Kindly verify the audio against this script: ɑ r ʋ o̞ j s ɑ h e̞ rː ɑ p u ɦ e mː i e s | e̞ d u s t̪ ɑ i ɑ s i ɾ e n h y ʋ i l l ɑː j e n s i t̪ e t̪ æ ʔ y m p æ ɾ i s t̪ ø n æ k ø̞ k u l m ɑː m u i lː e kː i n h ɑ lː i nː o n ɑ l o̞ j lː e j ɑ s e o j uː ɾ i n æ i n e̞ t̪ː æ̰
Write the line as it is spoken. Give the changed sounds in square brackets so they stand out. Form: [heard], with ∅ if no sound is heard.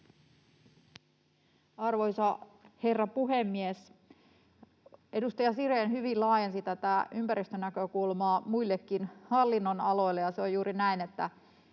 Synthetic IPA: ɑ r ʋ o̞ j s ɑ h e̞ rː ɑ p u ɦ e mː i e s | e̞ d u s t̪ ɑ [j] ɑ s i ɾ e n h y ʋ i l l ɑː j e n s i t̪ [æ] t̪ æ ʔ y m p æ ɾ i s t̪ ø n æ k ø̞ k u l m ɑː m u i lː e kː i n h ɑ lː i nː o n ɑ l o̞ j lː e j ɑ s e o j uː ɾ i n æ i n e̞ t̪ː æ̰